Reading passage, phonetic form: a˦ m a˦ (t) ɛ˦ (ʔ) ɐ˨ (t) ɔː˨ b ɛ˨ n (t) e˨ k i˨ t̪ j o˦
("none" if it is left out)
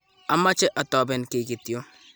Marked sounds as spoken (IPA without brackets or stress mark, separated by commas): t͡ʃ, ʔ, t, k